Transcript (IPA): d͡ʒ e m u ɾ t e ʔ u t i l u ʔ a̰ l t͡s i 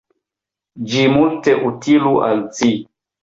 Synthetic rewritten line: d͡ʒ i m u l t e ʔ u t i l u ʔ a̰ l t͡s i